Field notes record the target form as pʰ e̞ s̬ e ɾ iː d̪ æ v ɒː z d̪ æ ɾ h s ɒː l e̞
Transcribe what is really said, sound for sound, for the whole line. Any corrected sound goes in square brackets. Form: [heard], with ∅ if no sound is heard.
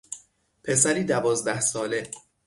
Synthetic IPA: pʰ e̞ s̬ [æ] ɾ iː d̪ æ v ɒː z d̪ æ [∅] h s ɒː l e̞